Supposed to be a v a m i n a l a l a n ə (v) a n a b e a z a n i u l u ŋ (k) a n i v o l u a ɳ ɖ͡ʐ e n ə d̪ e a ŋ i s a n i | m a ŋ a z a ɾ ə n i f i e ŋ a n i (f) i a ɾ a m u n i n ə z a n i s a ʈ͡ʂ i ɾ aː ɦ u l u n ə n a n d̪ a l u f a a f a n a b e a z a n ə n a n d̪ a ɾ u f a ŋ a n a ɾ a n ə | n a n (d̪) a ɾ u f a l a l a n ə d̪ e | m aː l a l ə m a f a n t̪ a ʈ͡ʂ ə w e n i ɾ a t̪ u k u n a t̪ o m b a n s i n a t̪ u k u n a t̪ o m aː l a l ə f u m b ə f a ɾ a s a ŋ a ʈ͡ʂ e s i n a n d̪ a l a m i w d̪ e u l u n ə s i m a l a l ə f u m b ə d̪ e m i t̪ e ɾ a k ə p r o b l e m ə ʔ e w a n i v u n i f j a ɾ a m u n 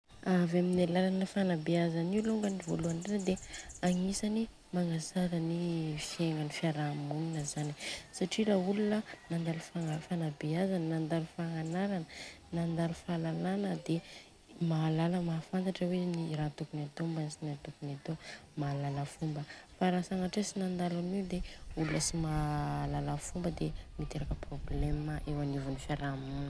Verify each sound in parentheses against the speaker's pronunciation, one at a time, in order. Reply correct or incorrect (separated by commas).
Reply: incorrect, incorrect, correct, correct